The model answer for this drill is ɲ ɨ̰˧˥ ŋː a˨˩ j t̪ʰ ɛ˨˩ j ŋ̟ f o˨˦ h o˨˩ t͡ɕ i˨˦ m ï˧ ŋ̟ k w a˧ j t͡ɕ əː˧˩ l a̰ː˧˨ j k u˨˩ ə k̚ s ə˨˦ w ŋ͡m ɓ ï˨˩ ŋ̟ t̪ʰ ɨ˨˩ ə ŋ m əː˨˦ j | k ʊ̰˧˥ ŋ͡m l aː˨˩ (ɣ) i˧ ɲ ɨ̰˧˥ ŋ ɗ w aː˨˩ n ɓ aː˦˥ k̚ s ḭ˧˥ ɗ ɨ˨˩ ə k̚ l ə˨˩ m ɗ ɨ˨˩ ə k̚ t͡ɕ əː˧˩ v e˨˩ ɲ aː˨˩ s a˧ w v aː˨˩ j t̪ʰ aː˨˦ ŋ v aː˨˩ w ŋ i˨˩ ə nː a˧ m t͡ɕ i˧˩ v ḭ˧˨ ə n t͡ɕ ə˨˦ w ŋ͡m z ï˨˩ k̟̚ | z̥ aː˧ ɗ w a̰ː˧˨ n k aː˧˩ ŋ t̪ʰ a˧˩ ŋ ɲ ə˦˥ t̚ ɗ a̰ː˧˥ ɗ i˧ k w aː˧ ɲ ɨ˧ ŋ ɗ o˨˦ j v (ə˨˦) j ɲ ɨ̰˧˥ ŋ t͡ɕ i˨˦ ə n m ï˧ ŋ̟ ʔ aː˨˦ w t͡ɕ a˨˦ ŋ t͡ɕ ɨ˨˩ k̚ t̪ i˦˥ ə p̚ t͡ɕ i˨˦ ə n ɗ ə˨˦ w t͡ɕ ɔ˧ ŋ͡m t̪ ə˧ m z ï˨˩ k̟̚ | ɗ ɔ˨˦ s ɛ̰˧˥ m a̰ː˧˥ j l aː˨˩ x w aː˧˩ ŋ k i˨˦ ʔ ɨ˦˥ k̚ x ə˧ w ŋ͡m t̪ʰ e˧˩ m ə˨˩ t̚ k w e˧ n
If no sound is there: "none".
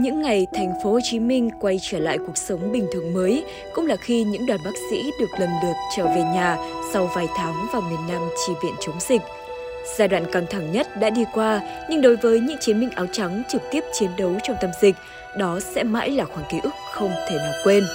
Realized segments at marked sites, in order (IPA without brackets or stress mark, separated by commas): x, əː˨˦